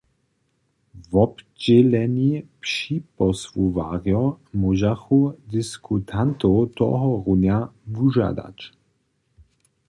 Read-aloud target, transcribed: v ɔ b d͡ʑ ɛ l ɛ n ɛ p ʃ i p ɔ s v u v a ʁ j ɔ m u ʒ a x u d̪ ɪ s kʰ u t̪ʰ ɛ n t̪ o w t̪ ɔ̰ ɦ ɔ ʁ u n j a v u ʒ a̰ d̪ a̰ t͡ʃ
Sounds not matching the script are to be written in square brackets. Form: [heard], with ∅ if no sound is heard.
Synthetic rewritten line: v ɔ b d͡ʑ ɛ l ɛ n [i] p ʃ i p ɔ s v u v a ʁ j ɔ m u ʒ a x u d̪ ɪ s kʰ u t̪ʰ [a] n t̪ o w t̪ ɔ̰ ɦ ɔ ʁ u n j a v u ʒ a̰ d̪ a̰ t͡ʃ